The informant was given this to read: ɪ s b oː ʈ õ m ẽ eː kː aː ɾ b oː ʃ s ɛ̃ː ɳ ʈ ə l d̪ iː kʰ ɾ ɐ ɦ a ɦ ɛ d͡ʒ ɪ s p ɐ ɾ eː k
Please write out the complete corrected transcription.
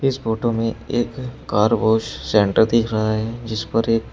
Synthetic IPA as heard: ɪ s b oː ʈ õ m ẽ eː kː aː ɾ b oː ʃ s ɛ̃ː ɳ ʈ ə ɾ d̪ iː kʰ ɾ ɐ ɦ a ɦ ɛ d͡ʒ ɪ s p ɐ ɾ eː k